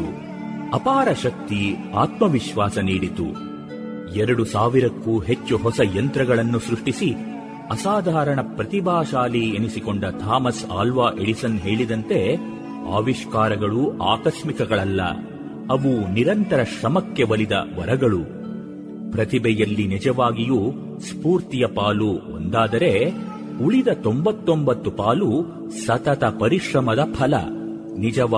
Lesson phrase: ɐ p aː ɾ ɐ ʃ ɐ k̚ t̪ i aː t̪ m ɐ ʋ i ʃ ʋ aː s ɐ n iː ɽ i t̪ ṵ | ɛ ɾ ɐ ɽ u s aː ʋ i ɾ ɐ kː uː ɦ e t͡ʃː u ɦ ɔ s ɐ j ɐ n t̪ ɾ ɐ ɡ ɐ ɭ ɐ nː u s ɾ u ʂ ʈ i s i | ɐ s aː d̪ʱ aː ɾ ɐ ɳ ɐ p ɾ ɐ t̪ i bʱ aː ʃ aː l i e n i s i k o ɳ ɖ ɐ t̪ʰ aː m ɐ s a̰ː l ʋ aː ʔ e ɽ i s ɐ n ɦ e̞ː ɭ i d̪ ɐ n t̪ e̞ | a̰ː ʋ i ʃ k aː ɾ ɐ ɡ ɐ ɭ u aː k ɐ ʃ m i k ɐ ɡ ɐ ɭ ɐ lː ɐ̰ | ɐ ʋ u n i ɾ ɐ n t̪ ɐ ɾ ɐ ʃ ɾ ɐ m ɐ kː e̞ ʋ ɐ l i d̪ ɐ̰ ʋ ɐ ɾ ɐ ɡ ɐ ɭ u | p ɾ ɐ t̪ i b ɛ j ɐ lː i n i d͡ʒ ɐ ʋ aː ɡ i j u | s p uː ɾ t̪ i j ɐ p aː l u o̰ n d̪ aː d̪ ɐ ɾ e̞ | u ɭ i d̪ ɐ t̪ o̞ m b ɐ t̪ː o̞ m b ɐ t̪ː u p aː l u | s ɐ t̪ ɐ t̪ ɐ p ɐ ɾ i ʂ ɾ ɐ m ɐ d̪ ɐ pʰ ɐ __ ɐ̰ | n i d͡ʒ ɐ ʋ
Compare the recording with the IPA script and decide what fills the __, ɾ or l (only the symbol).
l